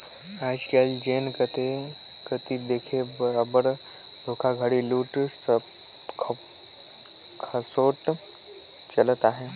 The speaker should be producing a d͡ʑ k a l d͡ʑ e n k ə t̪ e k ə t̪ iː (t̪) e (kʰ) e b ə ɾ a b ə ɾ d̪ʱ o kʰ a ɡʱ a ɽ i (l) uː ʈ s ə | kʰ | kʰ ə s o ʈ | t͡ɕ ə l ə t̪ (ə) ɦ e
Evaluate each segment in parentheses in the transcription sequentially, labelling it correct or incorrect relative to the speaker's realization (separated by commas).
incorrect, correct, correct, incorrect